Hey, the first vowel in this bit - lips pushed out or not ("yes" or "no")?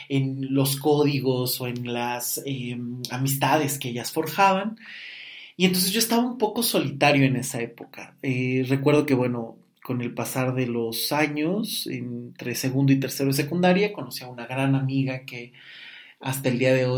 no